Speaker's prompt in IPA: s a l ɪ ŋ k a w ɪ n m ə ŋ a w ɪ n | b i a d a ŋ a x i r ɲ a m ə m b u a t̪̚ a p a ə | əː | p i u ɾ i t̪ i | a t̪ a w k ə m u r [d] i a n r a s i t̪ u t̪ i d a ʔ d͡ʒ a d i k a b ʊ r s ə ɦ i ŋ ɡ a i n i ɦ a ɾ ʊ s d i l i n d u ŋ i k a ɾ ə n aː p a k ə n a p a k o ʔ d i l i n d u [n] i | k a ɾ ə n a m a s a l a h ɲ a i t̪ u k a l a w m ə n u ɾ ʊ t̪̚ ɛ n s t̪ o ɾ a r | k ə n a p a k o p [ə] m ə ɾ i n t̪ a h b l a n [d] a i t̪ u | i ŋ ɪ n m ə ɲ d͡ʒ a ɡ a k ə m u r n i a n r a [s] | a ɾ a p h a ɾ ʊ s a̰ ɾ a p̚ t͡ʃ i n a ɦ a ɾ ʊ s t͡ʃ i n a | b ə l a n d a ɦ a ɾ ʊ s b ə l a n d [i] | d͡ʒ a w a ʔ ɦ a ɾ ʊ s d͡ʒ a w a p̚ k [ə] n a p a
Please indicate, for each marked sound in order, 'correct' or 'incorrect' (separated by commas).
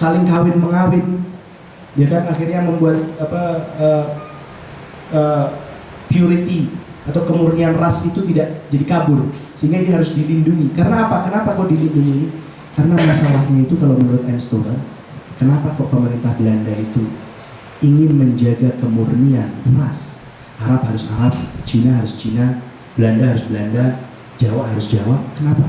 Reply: incorrect, incorrect, correct, correct, correct, incorrect, correct